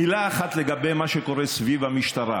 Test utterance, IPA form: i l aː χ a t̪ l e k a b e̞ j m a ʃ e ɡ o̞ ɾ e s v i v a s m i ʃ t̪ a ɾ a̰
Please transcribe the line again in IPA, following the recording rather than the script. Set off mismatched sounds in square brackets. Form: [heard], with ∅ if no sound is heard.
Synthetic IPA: i l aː χ a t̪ l e [ɡ] a b e̞ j m a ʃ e [k] o̞ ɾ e s v i v a [∅] m i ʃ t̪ a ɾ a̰